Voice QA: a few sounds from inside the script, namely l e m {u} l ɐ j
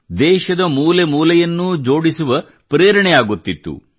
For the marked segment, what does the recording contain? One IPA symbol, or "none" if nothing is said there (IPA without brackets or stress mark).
uː